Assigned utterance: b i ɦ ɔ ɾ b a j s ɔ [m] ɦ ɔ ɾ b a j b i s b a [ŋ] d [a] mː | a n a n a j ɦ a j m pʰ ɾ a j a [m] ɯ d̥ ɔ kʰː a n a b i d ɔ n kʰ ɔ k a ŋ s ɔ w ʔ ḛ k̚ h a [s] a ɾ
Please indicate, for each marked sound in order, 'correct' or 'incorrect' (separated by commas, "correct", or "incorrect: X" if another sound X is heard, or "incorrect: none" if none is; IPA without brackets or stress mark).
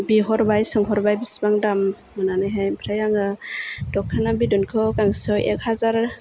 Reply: incorrect: ŋ, correct, correct, incorrect: ŋ, incorrect: z